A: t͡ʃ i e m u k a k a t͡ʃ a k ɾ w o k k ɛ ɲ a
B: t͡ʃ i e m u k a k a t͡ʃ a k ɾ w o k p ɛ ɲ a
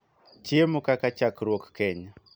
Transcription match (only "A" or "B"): A